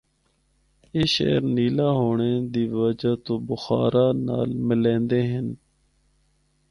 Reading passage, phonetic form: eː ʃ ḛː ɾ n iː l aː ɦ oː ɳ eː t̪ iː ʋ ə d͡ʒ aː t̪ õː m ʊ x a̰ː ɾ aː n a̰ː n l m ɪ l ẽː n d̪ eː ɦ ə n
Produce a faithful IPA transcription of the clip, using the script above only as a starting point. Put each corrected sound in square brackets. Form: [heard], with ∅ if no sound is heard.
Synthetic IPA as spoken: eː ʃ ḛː ɾ n iː l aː ɦ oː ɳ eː [d̪] iː ʋ ə d͡ʒ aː t̪ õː [b] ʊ x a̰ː ɾ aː n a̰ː [∅] l m ɪ l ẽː n d̪ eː ɦ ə n